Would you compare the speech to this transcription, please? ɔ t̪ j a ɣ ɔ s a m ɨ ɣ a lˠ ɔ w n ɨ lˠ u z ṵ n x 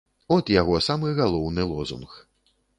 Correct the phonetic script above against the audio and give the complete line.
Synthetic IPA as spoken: ɔ t̪ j a ɣ ɔ s a m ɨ ɣ a lˠ ɔ w n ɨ lˠ ɔ z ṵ n x